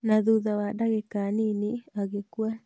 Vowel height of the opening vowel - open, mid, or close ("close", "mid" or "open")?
open